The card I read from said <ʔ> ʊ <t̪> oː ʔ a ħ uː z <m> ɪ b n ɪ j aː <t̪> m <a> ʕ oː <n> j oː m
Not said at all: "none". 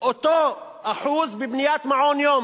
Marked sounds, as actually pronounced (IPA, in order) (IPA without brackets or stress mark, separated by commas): ʔ, t̪, b, t̪, a, n